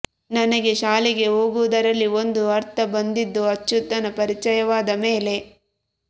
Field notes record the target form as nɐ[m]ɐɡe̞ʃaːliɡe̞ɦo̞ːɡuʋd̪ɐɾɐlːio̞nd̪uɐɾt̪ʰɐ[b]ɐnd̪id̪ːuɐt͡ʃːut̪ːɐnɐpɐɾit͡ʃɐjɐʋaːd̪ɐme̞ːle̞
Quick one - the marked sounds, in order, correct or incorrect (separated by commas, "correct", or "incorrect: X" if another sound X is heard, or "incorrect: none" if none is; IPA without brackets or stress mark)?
incorrect: n, correct